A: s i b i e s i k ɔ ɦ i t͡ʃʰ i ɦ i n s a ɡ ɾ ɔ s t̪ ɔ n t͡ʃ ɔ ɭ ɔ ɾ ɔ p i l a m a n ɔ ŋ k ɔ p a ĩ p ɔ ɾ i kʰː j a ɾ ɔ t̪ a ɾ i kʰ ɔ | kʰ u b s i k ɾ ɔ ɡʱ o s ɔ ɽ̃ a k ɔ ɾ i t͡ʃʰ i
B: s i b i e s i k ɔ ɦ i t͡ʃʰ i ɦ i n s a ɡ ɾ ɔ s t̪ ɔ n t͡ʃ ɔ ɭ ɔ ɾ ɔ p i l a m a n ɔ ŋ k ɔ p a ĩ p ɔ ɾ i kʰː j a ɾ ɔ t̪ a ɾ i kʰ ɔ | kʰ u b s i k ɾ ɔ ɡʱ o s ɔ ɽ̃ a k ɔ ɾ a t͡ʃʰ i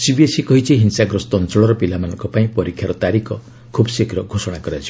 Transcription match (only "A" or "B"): B